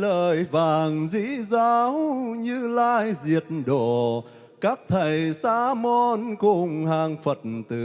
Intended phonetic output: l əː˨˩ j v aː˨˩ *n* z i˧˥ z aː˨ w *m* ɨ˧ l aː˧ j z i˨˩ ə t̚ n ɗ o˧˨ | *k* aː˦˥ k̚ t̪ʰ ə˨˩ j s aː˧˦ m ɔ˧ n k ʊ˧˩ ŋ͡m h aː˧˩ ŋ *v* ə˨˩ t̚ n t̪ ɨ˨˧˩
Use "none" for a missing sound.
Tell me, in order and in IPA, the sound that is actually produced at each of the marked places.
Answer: ŋ, ɲ, k, f

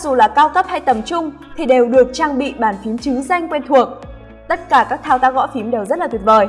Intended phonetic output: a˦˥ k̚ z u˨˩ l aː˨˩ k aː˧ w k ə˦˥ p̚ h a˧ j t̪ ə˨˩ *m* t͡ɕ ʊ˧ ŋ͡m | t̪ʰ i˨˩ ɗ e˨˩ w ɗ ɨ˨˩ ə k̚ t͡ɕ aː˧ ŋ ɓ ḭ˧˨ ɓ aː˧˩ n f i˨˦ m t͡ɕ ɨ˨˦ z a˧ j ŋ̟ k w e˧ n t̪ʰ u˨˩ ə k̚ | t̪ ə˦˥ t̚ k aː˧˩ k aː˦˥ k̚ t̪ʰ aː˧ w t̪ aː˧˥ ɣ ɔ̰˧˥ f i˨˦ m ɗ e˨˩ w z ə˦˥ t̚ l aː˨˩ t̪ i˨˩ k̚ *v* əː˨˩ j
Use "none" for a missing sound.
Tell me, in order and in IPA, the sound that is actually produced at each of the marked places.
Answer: m, v

